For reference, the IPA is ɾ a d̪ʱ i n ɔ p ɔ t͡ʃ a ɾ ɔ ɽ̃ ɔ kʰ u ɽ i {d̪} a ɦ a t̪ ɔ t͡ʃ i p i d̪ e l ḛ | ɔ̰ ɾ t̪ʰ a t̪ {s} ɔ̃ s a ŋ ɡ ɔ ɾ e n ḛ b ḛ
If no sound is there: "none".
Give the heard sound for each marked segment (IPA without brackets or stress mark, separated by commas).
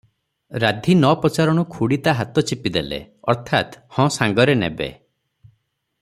t̪, h